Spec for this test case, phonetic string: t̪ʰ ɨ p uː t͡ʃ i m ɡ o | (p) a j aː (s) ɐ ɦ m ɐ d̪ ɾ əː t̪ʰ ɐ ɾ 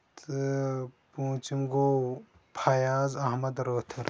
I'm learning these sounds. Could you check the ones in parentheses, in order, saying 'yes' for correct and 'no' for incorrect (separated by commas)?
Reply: no, no